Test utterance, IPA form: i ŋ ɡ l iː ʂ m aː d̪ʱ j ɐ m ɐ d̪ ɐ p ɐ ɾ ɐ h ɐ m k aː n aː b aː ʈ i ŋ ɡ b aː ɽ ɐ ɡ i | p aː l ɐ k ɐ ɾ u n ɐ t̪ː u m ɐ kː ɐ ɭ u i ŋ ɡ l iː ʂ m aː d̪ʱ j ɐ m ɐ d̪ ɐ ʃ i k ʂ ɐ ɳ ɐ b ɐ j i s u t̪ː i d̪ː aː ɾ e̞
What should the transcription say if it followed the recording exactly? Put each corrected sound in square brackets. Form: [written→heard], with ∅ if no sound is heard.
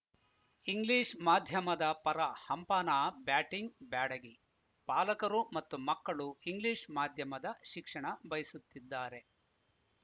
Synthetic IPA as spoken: i ŋ ɡ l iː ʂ m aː d̪ʱ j ɐ m ɐ d̪ ɐ p ɐ ɾ ɐ h ɐ m [k→p] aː n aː b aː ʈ i ŋ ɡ b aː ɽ ɐ ɡ i | p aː l ɐ k ɐ ɾ u [n→m] ɐ t̪ː u m ɐ kː ɐ ɭ u i ŋ ɡ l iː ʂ m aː d̪ʱ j ɐ m ɐ d̪ ɐ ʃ i k ʂ ɐ ɳ ɐ b ɐ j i s u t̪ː i d̪ː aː ɾ e̞